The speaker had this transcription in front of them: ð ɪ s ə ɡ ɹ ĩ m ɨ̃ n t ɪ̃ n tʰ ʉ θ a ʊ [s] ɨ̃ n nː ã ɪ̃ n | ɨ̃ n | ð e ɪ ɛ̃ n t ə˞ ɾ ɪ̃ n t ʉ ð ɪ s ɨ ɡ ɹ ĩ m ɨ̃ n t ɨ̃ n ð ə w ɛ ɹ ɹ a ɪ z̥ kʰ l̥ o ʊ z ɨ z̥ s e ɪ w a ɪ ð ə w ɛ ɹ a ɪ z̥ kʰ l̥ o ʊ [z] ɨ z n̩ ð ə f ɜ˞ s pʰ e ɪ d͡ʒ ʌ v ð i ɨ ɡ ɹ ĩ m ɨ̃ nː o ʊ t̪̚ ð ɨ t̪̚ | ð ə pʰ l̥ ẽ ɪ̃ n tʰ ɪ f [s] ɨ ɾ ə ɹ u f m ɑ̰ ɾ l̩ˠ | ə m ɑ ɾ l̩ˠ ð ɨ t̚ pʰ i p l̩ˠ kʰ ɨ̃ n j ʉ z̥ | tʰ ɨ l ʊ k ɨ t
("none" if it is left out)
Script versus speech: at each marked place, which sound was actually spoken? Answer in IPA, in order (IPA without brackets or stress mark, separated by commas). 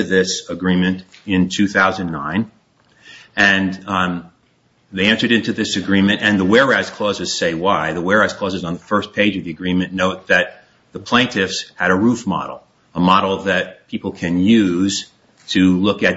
z, z, s